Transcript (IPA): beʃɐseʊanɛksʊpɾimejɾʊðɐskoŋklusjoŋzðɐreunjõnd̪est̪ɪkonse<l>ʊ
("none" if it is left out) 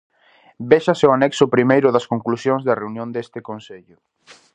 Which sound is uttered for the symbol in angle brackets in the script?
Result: ʎ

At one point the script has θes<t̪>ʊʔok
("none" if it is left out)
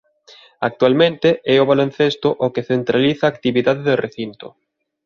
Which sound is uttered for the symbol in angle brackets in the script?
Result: t̪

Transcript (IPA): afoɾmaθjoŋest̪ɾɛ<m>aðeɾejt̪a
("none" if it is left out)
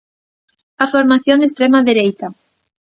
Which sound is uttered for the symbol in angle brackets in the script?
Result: m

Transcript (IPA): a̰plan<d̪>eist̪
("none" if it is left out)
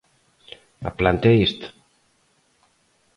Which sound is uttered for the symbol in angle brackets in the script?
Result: t̪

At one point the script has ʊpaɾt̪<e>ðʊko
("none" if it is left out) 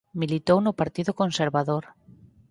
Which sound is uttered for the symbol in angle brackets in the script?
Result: i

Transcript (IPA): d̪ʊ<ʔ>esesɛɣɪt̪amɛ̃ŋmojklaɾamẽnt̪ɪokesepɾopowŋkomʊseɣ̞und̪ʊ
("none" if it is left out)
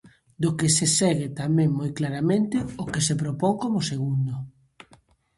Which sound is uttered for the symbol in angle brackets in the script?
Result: k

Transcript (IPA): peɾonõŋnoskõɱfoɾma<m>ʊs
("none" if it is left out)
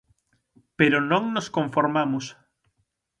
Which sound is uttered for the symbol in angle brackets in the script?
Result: m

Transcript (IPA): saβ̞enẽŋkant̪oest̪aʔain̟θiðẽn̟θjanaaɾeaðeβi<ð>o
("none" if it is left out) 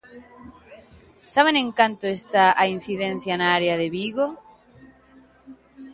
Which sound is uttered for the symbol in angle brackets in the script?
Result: ɣ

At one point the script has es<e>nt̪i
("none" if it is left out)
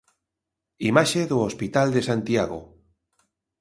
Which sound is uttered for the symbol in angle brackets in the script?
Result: a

